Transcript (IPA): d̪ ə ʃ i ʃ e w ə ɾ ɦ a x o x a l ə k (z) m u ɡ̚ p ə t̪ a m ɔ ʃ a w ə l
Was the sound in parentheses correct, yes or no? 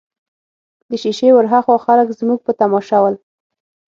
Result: yes